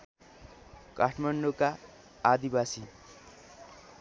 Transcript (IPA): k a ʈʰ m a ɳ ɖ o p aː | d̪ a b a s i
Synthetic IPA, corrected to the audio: k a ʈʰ m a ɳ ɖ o k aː | d̪ i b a s i